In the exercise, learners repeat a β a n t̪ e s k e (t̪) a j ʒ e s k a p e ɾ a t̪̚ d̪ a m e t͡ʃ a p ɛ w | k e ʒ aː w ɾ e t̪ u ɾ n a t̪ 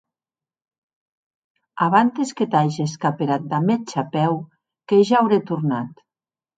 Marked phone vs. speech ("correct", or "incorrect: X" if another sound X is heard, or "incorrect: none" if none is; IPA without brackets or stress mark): correct